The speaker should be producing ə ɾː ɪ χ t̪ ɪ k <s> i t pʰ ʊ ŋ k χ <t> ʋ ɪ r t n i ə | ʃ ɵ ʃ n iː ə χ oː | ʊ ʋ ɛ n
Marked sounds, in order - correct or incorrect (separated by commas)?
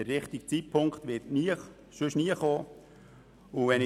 incorrect, correct